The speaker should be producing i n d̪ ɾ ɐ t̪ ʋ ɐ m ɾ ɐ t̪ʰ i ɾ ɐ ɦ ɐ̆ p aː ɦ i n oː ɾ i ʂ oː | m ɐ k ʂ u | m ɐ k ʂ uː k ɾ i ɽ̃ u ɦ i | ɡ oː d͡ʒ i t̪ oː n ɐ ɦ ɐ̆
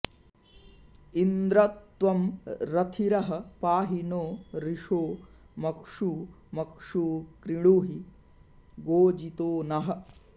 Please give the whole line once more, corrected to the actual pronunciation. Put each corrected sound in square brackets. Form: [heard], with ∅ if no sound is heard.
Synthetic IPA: i n d̪ ɾ ɐ t̪ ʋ ɐ m ɾ ɐ t̪ʰ i ɾ ɐ ɦ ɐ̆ p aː ɦ i n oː ɾ i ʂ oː | m ɐ k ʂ u | m ɐ k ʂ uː k ɾ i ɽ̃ u ɦ i | ɡ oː d͡ʒ i t̪ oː n ɐ ɦ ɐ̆

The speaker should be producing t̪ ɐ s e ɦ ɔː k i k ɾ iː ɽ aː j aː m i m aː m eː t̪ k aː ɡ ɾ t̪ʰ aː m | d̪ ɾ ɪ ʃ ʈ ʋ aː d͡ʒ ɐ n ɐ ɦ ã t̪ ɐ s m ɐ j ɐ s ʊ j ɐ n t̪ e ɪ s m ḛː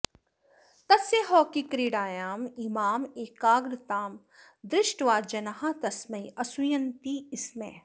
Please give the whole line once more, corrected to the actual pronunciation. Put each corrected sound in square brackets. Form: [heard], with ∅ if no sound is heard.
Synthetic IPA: t̪ ɐ s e ɦ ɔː k i k ɾ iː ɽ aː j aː m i m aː m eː [∅] k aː ɡ ɾ [t̪] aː m | d̪ ɾ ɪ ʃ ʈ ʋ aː d͡ʒ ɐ n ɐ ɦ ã t̪ ɐ s m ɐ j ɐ s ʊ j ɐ n t̪ [i] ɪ s m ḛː

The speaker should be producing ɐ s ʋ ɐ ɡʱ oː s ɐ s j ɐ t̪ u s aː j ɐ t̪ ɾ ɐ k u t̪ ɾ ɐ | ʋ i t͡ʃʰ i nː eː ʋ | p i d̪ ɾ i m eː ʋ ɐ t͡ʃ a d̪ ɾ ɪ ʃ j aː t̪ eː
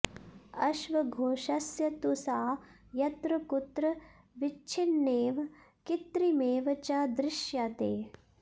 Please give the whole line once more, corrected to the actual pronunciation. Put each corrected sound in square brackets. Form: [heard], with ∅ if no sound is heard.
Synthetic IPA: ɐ [ʃ] ʋ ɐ ɡʱ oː [ʃ] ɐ s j ɐ t̪ u s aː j ɐ t̪ ɾ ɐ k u t̪ ɾ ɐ | ʋ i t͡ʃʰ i nː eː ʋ | [k] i [t̪] ɾ i m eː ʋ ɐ t͡ʃ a d̪ ɾ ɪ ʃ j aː t̪ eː

